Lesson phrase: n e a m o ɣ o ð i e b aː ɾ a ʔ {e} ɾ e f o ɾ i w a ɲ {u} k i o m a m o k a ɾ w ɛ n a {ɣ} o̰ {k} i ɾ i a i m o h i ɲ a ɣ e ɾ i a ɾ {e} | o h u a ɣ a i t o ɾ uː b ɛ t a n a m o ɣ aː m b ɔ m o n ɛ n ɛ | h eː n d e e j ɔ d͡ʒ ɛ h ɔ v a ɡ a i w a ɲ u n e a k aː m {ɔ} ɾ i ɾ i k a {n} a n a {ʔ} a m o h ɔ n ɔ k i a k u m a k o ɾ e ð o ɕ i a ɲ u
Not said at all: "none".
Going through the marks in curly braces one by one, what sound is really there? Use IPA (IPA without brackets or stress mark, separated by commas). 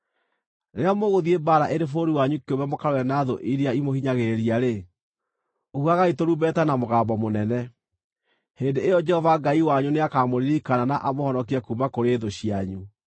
e, u, ð, ʔ, e, o, n, ʔ